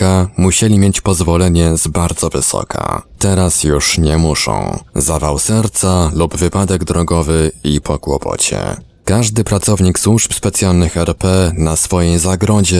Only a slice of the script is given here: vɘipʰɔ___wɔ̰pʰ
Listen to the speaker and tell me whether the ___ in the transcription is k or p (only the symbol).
k